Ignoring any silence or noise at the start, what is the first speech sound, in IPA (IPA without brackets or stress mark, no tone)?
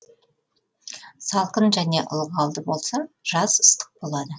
s